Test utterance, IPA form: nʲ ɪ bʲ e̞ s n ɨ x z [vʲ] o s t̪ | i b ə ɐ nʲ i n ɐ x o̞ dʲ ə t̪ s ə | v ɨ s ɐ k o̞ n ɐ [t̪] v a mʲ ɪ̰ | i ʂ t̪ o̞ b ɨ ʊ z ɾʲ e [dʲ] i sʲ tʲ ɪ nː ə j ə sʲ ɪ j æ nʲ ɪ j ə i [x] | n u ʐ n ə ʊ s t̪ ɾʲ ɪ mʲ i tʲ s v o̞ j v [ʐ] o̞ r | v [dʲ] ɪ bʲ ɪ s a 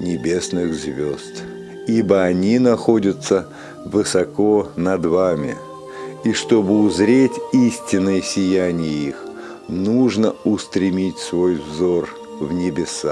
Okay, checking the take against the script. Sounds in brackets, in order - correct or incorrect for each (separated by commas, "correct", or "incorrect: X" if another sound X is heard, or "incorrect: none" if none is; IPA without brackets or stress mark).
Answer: correct, incorrect: d̪, incorrect: tʲ, correct, incorrect: z, incorrect: nʲ